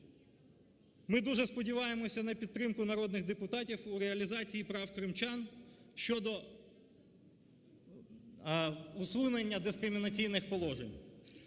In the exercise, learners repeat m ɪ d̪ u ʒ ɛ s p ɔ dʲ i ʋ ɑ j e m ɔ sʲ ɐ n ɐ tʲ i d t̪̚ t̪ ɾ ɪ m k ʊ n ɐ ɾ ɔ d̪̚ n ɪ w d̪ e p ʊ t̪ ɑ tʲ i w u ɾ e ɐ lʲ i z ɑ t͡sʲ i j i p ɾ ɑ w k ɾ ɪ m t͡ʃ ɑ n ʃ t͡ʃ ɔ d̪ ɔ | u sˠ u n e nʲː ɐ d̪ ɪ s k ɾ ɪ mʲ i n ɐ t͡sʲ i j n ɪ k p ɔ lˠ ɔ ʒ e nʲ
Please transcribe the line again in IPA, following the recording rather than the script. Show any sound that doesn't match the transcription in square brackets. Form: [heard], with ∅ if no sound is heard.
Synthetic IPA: m ɪ d̪ u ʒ ɛ s p ɔ dʲ i ʋ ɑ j e m ɔ sʲ ɐ n ɐ [pʲ] i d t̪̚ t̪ ɾ ɪ m k ʊ n ɐ ɾ ɔ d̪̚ n ɪ [ɣ] d̪ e p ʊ t̪ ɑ tʲ i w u ɾ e ɐ lʲ i z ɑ t͡sʲ i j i p ɾ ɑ w k ɾ ɪ m t͡ʃ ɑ n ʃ t͡ʃ ɔ d̪ ɔ | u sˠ u n e nʲː ɐ d̪ ɪ s k ɾ ɪ mʲ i n ɐ t͡sʲ i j n ɪ [x] p ɔ lˠ ɔ ʒ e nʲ